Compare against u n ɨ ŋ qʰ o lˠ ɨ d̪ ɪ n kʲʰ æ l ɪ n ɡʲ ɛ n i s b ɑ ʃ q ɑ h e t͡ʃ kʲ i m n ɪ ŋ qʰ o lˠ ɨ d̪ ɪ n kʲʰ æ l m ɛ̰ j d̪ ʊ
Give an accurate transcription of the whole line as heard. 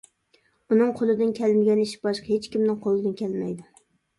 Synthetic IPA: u n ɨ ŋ qʰ o lˠ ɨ d̪ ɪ n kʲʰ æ l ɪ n ɡʲ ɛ n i ʃ b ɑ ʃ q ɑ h e t͡ʃ kʲ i m n ɪ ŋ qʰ o lˠ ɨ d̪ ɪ n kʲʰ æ l m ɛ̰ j d̪ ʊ